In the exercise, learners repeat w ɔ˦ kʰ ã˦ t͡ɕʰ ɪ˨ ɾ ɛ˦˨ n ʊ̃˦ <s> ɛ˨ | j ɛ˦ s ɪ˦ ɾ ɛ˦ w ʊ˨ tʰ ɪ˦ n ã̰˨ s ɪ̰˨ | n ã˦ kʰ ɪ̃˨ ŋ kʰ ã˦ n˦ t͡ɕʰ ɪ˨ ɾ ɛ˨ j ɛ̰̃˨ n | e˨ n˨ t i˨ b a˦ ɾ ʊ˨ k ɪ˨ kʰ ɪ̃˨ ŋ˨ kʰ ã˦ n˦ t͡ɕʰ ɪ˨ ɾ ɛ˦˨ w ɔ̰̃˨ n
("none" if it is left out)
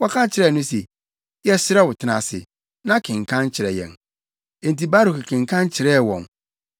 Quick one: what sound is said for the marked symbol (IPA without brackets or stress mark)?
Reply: s